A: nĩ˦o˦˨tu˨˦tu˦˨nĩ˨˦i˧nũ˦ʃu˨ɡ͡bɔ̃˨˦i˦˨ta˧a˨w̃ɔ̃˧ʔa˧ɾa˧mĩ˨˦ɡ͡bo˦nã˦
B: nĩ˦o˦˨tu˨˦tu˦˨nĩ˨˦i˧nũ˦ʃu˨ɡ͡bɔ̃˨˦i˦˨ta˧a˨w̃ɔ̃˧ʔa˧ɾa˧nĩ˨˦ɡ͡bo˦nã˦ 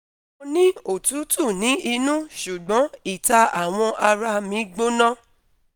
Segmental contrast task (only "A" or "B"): A